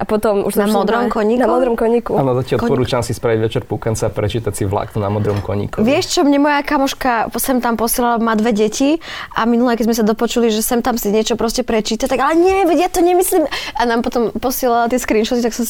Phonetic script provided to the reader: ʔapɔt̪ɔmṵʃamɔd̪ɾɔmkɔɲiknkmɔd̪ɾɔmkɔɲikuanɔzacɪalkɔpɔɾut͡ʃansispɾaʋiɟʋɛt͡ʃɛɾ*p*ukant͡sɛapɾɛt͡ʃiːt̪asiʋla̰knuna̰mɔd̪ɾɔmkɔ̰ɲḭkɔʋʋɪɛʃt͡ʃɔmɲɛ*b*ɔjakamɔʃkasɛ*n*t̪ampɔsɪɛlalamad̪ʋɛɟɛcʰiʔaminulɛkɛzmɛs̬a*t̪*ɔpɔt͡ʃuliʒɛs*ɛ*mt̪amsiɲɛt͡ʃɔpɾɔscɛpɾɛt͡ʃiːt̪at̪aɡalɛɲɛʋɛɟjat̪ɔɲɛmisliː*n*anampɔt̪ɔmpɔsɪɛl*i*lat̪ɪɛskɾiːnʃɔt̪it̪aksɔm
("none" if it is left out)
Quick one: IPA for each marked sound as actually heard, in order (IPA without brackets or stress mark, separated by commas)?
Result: p, m, m, d̪, ɛ, m, a